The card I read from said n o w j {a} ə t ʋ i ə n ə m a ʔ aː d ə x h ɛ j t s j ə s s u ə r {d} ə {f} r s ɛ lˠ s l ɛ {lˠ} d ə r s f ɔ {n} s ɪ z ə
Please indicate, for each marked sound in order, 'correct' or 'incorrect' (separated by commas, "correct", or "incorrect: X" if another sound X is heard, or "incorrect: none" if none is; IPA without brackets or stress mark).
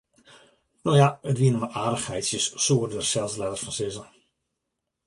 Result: correct, correct, incorrect: none, incorrect: none, correct